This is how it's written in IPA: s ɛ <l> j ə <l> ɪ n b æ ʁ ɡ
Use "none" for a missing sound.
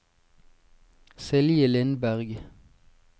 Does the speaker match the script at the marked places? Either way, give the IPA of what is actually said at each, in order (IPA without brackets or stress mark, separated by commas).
l, l